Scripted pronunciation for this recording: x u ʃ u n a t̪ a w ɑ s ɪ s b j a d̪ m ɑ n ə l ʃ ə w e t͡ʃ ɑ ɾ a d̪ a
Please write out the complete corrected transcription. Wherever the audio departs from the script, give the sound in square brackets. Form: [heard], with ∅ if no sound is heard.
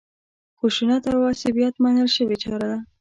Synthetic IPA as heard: x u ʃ u n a t̪ a w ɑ s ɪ [∅] b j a [t̪] m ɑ n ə l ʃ ə w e t͡ʃ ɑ ɾ a d̪ a